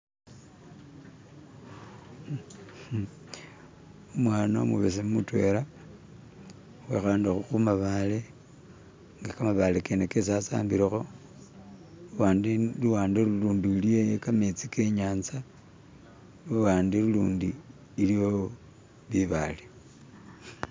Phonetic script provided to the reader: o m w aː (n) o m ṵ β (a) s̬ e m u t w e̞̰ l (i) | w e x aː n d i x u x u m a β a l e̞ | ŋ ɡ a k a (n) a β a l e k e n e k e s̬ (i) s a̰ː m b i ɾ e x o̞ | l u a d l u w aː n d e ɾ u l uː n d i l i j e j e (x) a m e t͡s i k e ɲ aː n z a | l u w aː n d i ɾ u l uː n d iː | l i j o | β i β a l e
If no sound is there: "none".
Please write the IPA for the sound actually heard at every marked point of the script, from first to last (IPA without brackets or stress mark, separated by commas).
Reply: n, e, a, m, a, k